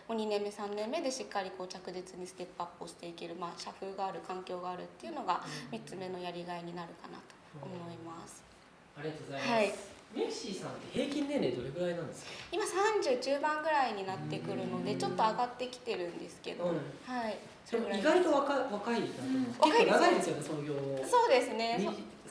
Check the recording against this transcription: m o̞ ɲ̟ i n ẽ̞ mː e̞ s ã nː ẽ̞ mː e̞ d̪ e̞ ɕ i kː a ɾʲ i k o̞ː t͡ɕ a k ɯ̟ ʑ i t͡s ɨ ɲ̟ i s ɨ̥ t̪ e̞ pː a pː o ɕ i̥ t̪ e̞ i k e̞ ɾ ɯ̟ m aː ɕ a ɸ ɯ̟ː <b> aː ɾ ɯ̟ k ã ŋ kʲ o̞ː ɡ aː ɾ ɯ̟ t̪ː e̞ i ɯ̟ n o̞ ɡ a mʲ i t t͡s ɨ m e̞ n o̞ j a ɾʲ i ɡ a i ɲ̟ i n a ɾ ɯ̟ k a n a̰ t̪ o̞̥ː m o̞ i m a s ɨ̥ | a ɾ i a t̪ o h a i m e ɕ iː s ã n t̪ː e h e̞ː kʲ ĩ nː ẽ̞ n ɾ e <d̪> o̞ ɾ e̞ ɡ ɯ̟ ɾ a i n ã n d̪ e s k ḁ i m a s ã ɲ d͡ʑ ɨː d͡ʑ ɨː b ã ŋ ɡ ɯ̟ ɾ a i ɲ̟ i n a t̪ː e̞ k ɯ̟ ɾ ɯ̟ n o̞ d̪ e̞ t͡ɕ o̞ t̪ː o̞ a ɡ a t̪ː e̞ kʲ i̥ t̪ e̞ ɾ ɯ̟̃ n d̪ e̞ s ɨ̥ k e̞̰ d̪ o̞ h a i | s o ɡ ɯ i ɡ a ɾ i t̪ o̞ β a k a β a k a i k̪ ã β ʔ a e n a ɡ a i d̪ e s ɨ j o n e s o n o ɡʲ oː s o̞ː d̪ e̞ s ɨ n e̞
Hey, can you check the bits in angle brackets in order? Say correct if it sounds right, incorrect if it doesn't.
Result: incorrect, correct

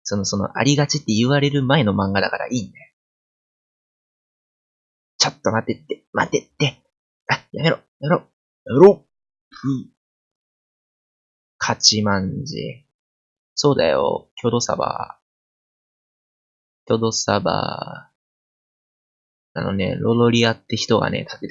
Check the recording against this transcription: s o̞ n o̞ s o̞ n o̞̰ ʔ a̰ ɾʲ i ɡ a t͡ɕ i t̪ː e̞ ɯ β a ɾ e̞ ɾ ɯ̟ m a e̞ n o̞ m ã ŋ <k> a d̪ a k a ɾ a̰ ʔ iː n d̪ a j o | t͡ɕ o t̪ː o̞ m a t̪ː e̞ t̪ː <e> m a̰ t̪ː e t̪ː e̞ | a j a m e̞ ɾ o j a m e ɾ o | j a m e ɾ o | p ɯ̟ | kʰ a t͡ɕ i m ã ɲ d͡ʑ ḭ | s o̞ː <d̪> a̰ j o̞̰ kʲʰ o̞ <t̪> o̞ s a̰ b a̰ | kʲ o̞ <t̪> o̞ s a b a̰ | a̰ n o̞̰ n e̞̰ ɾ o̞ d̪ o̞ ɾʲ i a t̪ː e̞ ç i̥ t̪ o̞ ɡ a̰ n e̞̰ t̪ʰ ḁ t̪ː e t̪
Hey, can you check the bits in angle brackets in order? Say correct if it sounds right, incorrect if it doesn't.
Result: incorrect, correct, correct, incorrect, incorrect

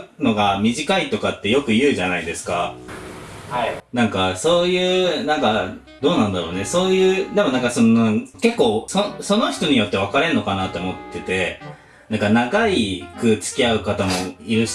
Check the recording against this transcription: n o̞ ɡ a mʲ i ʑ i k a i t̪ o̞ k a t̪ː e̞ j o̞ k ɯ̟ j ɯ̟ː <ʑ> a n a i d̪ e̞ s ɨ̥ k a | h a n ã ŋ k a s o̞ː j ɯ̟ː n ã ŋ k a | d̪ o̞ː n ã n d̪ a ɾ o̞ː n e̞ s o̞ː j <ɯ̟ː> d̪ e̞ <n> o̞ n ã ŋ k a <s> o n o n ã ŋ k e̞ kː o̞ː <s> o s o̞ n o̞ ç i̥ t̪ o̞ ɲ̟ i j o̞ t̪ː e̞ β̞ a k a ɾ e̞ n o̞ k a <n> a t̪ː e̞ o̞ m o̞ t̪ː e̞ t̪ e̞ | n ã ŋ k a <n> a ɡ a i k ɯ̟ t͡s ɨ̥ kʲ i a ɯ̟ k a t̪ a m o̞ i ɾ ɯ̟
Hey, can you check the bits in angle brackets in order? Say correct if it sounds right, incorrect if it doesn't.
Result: correct, correct, incorrect, correct, correct, correct, correct

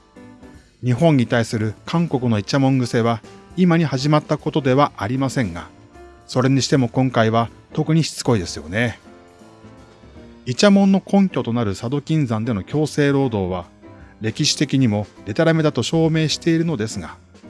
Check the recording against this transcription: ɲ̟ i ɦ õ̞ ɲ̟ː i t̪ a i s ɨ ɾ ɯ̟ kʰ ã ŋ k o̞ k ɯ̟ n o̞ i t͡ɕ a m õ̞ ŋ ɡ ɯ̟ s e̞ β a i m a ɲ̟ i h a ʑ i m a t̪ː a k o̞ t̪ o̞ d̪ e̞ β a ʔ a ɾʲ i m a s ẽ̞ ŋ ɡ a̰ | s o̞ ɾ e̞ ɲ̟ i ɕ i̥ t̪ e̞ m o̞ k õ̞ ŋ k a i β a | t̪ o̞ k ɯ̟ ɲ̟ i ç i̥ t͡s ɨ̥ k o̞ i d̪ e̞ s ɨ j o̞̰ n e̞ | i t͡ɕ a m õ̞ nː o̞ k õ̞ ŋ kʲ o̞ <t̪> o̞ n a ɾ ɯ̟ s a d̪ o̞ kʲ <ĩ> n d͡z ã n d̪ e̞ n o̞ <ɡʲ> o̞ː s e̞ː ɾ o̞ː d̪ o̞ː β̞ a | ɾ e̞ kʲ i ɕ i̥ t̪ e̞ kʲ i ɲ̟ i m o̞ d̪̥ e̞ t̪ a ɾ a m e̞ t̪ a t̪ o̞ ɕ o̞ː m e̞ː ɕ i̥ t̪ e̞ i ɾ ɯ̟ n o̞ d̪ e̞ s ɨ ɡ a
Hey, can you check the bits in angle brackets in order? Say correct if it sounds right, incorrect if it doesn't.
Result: correct, correct, incorrect

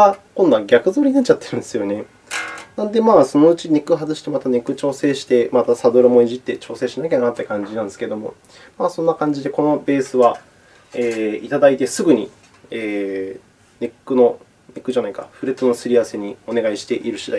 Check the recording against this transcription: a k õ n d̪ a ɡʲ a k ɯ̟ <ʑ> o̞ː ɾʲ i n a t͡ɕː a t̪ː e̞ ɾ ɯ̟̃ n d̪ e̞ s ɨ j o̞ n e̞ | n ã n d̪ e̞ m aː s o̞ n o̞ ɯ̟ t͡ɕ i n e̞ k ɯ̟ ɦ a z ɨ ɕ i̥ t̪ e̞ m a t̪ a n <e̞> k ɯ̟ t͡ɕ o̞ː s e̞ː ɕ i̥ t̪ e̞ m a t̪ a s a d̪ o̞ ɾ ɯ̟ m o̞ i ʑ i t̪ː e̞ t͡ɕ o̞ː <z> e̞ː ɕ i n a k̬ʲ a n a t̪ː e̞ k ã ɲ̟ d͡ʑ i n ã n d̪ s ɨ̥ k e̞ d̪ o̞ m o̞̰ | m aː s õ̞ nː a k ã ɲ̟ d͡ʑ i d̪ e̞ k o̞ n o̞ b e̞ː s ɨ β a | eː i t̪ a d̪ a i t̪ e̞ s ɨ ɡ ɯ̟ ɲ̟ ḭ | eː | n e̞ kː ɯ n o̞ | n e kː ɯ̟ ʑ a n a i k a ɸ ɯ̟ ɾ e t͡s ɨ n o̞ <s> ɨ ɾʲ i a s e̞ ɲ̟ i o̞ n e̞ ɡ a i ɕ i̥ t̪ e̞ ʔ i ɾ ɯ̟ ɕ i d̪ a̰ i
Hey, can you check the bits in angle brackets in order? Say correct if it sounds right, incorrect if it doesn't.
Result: incorrect, correct, incorrect, correct

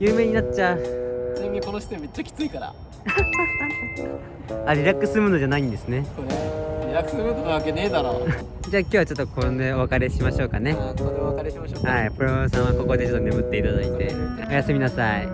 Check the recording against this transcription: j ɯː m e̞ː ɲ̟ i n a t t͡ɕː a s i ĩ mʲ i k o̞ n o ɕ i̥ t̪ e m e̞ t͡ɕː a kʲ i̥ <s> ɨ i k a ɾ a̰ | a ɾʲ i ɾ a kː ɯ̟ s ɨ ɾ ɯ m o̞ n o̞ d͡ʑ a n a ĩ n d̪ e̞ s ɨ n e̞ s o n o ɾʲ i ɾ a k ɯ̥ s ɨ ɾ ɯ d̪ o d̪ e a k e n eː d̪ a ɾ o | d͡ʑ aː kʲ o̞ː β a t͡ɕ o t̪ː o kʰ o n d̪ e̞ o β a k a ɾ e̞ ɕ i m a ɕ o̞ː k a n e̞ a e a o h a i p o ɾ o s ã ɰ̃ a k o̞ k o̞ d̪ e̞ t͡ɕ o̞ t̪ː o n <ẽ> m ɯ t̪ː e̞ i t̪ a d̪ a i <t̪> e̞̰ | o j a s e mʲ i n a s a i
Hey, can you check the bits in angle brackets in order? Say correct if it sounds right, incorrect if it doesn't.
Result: incorrect, incorrect, correct

